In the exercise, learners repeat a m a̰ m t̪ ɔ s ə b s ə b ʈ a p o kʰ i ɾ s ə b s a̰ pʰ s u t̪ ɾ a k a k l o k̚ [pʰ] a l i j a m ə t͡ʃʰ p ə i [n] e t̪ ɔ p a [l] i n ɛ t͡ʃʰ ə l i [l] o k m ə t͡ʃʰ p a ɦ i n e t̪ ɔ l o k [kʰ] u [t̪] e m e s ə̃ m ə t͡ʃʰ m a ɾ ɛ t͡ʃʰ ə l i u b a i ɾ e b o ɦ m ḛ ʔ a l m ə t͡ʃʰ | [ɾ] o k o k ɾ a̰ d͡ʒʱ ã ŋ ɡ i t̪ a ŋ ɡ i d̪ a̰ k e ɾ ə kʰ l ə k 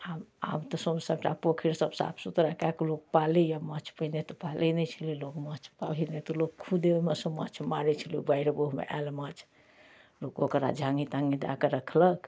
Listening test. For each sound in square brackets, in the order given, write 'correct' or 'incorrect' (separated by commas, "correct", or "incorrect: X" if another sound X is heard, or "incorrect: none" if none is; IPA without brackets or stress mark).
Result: incorrect: p, correct, correct, correct, correct, incorrect: d̪, incorrect: l